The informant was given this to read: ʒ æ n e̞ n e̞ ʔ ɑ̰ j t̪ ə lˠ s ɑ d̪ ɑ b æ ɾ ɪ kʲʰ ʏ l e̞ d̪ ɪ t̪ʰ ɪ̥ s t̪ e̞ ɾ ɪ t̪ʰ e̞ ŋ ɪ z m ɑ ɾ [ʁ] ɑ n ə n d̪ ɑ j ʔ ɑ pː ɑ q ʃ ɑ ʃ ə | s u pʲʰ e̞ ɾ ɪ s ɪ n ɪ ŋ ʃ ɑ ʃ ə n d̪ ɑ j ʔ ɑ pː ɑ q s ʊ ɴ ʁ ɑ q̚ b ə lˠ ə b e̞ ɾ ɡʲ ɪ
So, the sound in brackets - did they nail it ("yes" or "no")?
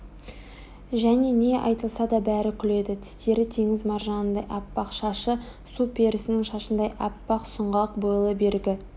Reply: no